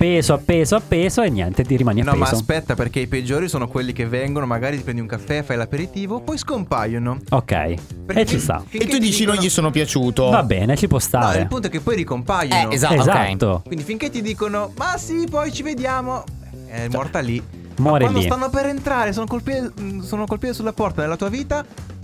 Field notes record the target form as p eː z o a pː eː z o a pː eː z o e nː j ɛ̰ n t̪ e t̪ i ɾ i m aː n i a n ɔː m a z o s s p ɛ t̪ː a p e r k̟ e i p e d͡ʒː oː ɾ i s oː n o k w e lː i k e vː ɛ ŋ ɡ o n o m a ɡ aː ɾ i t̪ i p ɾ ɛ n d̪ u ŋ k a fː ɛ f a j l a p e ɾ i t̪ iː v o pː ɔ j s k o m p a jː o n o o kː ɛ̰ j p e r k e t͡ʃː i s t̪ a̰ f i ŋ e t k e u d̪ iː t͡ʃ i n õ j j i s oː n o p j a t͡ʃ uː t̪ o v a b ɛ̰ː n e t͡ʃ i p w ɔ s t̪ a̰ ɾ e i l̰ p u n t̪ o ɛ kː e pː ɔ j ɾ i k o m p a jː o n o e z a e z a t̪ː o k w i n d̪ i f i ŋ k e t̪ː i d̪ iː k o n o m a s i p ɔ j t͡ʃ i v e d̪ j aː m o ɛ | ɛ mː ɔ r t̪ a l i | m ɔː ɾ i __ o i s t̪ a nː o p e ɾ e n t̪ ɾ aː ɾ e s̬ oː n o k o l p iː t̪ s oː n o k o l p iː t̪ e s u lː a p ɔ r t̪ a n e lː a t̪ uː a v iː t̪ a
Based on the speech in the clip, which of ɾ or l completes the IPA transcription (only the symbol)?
l